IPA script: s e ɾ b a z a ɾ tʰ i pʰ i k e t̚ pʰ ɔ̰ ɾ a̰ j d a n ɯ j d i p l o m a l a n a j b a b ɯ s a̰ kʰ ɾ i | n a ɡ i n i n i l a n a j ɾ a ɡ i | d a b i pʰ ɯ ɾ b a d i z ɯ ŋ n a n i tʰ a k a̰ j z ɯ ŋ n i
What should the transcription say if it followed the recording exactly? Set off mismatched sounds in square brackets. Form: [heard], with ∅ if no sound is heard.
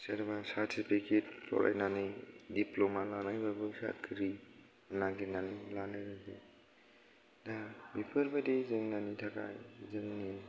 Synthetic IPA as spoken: s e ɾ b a [s] a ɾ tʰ i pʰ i k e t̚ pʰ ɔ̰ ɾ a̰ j [n] a n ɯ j d i p l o m a l a n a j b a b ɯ s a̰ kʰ ɾ i | n a ɡ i n [a] n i l a n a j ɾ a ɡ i | d a b i pʰ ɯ ɾ b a d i z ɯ ŋ n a n i tʰ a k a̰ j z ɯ ŋ n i